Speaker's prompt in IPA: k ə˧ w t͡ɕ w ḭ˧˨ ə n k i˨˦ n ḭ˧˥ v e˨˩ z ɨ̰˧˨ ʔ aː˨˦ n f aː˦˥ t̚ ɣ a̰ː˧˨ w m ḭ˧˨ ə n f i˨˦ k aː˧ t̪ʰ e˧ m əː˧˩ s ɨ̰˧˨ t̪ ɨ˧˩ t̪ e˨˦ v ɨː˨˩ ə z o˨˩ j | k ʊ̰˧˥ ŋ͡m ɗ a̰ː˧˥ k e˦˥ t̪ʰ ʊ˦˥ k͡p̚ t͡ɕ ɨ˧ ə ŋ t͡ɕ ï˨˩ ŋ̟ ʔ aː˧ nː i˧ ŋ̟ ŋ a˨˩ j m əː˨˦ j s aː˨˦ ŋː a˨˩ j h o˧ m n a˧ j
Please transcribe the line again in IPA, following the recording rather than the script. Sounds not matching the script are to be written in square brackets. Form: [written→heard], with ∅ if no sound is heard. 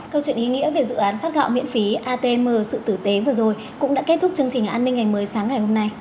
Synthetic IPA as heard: k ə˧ w t͡ɕ w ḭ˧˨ ə n [k→ʔ] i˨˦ [n→ŋ] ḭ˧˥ v e˨˩ z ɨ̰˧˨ ʔ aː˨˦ n f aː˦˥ t̚ ɣ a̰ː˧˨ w m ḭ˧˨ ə n f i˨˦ [k→ʔ] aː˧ [t̪ʰ→t̪] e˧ m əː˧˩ s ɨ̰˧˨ t̪ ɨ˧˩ t̪ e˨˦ v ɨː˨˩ ə z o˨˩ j | k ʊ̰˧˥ ŋ͡m ɗ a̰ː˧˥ k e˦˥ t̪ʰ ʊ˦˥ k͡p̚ t͡ɕ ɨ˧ ə ŋ t͡ɕ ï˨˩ ŋ̟ ʔ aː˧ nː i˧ ŋ̟ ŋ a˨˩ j m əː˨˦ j s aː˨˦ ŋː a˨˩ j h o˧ m n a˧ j